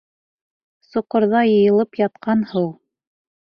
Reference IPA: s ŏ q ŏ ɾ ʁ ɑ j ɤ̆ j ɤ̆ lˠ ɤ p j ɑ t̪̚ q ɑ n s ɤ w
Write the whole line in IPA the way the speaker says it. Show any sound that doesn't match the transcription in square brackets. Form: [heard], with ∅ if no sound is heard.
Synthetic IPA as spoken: s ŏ q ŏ ɾ [ð] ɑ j ɤ̆ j ɤ̆ lˠ ɤ p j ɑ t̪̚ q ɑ n [h] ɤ w